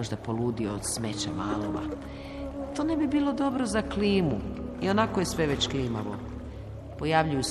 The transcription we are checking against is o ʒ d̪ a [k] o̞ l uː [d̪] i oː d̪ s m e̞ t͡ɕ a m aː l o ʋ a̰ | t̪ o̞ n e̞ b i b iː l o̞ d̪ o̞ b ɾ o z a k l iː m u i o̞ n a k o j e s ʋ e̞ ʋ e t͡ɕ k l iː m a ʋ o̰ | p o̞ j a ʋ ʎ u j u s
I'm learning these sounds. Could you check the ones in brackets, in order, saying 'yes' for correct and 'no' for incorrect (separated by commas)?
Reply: no, yes